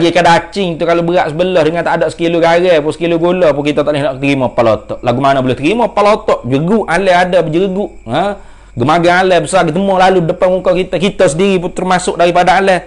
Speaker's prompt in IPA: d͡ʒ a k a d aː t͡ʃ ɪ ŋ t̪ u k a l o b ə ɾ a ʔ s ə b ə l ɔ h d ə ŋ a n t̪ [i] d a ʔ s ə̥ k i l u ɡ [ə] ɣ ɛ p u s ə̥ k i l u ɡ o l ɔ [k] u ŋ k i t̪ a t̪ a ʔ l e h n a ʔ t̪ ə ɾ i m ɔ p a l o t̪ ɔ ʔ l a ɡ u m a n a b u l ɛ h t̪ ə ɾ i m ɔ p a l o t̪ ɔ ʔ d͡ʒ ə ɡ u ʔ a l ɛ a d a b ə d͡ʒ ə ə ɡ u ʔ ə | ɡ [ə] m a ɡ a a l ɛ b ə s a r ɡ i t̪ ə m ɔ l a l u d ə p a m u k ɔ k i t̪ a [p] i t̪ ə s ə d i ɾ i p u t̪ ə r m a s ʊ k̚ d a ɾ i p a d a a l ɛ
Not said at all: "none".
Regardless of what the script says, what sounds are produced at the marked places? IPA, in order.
a, a, p, ə, k

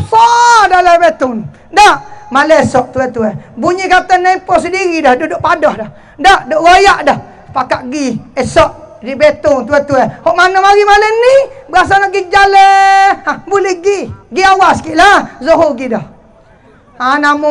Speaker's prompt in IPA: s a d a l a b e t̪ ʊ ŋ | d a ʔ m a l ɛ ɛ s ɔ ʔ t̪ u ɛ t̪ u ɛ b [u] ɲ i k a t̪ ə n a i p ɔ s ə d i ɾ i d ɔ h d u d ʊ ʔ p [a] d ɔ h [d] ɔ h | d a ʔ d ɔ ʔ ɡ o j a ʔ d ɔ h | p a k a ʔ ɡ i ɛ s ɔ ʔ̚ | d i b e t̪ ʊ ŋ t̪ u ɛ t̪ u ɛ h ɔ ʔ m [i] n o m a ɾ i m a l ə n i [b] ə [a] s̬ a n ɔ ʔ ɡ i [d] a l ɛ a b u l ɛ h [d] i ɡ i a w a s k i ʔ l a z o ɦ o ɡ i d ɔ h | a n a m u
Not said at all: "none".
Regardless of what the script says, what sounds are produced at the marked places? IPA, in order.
u, a, d, a, b, a, d͡ʒ, ɡ

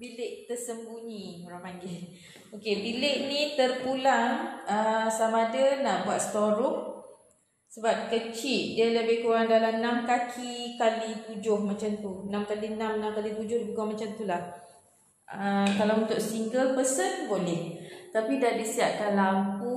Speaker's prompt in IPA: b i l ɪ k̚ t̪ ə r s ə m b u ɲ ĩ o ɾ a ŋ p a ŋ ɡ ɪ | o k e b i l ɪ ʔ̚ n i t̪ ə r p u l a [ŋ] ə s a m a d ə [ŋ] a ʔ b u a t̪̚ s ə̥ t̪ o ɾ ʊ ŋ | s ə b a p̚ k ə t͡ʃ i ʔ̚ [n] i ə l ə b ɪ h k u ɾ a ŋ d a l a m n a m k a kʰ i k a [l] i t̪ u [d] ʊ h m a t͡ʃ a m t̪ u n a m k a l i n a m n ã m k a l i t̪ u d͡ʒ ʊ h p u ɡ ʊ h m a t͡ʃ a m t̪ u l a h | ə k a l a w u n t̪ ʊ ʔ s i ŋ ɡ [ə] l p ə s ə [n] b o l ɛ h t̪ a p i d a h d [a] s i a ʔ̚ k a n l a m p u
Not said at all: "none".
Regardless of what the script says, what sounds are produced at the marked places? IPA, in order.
ŋ, n, d, l, d͡ʒ, ə, n, i

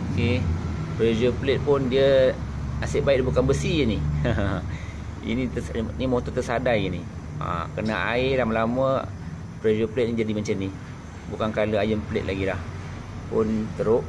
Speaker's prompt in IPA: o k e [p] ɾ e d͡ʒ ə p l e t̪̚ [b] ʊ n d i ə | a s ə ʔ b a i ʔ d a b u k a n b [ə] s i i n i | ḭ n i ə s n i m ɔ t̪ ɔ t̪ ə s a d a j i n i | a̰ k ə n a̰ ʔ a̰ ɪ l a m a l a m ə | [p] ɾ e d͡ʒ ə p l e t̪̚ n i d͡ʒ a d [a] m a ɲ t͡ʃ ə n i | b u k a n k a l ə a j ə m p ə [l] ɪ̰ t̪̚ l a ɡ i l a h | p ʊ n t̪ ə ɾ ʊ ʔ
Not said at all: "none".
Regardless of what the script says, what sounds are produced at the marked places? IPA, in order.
p, p, ə, p, i, l

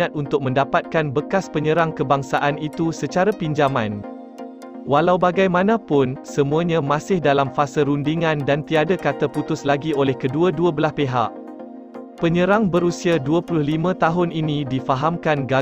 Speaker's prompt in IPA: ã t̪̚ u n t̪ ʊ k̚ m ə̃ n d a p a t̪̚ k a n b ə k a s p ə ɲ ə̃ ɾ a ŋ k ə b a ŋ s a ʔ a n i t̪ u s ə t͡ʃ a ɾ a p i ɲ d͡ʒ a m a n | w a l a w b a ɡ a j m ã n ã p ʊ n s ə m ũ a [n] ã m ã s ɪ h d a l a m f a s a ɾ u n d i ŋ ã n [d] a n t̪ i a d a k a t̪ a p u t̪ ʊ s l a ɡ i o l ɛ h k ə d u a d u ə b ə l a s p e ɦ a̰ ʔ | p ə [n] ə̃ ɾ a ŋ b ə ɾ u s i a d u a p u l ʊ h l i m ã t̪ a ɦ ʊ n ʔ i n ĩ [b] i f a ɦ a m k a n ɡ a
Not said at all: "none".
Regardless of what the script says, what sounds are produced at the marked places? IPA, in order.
ɲ, d, ɲ, d

